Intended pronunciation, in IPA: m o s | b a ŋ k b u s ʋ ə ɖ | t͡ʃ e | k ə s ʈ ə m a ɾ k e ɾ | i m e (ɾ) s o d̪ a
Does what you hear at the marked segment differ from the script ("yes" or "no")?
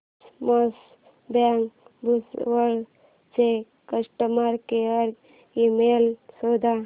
yes